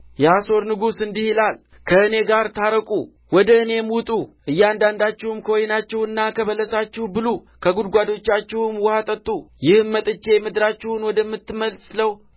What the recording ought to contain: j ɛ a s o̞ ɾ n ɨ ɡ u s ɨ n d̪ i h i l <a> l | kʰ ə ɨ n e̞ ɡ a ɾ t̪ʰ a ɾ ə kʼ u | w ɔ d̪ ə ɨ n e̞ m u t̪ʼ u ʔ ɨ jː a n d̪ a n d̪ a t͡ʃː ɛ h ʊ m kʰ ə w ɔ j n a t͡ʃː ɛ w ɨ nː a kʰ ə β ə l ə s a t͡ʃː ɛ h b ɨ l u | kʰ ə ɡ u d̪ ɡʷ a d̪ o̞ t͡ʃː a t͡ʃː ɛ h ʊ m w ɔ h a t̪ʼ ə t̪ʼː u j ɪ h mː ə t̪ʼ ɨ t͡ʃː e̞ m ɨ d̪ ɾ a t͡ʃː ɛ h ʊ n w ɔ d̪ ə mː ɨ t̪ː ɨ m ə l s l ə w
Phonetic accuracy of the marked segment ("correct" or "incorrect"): correct